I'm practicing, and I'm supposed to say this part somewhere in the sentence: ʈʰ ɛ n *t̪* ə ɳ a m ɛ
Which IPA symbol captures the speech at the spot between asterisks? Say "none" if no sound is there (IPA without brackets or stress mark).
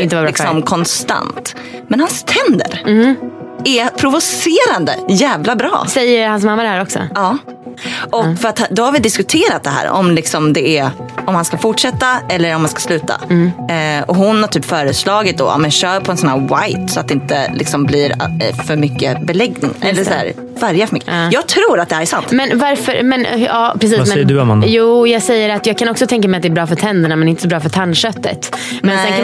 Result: d̪